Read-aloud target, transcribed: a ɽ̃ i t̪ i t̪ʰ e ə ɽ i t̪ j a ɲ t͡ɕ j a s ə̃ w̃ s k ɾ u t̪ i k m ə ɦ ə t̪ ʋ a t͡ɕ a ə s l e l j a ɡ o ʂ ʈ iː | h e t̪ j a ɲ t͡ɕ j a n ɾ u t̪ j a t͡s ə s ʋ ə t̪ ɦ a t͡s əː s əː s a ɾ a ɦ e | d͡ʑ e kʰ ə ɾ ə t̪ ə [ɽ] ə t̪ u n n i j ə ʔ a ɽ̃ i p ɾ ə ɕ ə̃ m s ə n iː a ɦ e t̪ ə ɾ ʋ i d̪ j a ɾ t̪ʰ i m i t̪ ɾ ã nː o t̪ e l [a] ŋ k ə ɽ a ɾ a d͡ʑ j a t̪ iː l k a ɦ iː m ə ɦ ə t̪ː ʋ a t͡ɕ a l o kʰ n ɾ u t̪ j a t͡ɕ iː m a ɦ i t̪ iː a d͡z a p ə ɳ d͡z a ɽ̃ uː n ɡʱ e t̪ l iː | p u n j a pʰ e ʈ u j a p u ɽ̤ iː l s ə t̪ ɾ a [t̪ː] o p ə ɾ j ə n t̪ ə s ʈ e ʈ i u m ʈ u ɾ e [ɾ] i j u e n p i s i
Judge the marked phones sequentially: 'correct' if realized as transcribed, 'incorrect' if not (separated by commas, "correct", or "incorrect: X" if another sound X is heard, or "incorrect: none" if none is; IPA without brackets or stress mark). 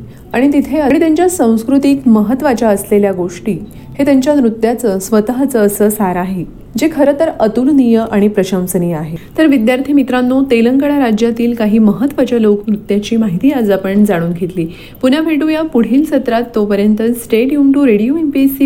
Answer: incorrect: ɾ, incorrect: ə, correct, incorrect: ɽ